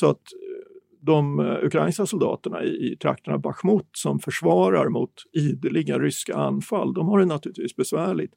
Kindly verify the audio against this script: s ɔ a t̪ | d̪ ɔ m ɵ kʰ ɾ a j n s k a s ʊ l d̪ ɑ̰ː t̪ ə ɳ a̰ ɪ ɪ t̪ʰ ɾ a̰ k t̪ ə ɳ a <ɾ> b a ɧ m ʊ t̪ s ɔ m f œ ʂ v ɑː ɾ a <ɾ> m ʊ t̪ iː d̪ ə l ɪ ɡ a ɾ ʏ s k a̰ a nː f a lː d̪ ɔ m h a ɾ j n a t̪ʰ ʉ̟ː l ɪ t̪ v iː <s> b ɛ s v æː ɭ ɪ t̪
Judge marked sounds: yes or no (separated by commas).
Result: no, yes, yes